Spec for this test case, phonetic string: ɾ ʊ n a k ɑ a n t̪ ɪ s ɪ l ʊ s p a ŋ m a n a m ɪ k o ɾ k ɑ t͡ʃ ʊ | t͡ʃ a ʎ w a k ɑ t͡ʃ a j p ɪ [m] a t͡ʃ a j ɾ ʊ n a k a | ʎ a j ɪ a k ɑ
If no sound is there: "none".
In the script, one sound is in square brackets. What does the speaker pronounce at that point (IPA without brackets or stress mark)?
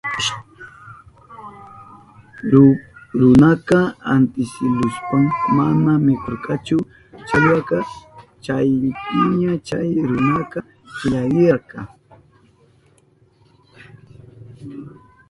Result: ɲ